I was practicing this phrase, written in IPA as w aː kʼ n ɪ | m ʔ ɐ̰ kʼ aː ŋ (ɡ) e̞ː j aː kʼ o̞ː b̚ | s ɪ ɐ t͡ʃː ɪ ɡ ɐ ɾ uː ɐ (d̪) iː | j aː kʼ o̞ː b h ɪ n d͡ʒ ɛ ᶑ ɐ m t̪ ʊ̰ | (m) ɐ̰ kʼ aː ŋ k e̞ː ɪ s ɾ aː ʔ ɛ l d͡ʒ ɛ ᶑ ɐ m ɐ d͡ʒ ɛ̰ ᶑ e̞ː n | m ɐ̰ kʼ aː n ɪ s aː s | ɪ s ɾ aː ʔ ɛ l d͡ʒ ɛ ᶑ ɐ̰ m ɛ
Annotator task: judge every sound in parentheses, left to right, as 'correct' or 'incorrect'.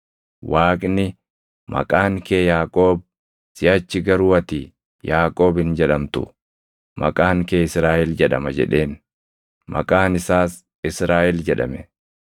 incorrect, incorrect, correct

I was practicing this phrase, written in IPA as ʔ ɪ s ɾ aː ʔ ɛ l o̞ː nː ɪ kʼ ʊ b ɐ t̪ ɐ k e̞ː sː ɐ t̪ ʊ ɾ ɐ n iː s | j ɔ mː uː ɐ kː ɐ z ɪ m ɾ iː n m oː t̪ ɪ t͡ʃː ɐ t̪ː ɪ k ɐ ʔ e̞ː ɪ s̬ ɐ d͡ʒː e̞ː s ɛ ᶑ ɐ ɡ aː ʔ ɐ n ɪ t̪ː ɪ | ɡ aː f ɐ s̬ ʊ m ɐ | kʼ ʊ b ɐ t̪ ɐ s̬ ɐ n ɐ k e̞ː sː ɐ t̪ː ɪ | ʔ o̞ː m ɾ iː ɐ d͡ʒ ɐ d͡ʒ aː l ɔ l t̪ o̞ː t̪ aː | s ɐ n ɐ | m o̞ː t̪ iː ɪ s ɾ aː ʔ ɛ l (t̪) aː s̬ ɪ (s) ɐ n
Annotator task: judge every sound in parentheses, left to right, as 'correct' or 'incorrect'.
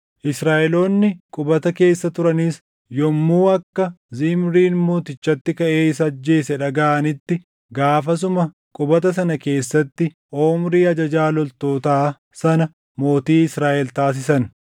correct, correct

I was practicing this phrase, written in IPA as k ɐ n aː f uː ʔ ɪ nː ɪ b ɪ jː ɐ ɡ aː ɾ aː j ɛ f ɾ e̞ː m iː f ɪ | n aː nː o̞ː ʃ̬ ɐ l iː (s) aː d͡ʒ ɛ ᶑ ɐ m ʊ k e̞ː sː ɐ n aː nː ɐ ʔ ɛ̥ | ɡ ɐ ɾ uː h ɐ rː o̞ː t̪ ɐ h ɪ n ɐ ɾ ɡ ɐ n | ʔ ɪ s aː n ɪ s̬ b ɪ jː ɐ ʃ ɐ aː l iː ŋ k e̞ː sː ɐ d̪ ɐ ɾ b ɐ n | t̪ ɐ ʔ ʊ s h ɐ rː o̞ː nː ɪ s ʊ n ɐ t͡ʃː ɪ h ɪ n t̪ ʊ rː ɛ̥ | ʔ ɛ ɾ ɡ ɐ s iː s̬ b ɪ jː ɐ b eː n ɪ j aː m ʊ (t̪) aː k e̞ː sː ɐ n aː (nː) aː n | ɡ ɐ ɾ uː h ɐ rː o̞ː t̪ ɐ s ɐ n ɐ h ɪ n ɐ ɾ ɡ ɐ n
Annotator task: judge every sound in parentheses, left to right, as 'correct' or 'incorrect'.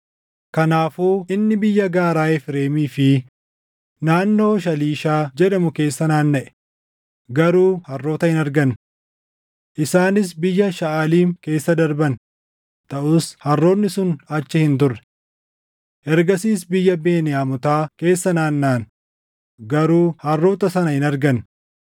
incorrect, correct, correct

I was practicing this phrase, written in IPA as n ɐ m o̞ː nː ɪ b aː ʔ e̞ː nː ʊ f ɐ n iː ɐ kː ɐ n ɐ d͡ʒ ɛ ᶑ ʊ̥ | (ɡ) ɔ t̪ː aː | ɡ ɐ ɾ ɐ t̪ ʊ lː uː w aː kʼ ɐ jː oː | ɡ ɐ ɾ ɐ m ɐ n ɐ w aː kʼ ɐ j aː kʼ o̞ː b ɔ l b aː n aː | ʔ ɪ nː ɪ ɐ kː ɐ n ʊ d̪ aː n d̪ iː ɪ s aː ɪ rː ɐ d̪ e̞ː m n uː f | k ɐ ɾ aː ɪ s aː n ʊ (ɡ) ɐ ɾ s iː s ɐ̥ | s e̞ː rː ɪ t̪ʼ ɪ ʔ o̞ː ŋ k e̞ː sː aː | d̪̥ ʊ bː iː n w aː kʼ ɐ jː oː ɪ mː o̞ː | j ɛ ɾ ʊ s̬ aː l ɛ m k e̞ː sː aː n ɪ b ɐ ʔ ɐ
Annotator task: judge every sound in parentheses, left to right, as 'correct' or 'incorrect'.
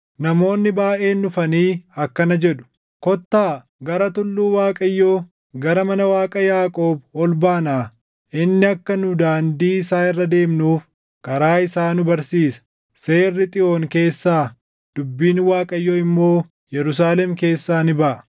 incorrect, incorrect

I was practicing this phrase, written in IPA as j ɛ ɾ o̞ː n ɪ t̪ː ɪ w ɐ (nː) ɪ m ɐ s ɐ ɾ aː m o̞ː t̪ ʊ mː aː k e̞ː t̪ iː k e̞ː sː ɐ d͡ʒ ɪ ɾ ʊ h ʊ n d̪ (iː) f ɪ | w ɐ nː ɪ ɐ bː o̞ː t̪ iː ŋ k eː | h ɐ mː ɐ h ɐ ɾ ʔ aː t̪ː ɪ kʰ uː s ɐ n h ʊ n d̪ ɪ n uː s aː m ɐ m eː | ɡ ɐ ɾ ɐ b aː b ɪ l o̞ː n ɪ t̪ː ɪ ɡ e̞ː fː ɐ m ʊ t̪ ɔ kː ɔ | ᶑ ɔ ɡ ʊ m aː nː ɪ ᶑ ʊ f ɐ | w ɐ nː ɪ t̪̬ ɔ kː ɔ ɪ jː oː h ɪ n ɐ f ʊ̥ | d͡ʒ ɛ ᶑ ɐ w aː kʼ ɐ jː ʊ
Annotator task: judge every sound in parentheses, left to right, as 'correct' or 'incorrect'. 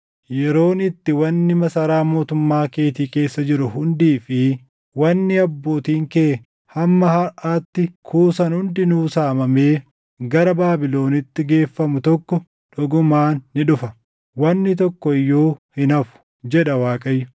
correct, correct

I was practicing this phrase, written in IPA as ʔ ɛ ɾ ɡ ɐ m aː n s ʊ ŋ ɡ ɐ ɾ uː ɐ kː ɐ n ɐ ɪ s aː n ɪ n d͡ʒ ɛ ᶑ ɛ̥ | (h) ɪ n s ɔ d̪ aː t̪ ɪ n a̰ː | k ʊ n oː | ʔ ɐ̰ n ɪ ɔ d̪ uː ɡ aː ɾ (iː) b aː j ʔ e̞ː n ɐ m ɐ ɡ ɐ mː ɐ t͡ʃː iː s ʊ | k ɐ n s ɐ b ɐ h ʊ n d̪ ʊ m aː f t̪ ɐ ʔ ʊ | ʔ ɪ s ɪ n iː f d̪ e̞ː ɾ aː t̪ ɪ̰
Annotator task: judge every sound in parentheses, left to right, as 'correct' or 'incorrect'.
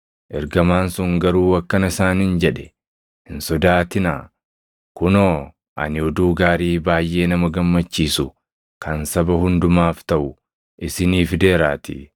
correct, correct

